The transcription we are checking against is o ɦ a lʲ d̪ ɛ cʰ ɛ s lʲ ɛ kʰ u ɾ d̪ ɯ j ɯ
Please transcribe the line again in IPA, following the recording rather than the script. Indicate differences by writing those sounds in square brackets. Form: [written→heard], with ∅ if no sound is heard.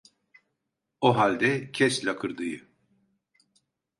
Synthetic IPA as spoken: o ɦ a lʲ d̪ ɛ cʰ ɛ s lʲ [ɛ→a] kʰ [u→ɯ] ɾ d̪ ɯ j ɯ